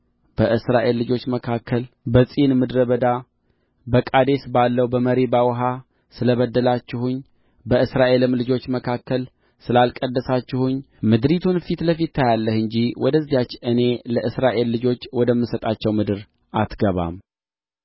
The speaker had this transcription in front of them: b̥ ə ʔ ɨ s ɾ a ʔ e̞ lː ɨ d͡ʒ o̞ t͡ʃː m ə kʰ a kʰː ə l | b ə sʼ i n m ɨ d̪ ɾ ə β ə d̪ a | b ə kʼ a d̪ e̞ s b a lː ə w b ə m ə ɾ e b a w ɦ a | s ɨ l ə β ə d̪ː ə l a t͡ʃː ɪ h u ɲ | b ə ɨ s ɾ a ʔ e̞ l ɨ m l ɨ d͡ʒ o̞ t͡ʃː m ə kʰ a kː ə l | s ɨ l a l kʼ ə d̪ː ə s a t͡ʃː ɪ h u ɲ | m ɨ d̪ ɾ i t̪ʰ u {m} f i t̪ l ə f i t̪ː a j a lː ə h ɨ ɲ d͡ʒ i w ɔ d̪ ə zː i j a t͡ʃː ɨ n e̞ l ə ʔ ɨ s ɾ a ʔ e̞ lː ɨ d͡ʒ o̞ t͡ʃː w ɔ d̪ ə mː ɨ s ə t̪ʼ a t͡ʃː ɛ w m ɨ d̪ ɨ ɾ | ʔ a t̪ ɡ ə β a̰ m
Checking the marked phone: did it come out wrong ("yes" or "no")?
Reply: yes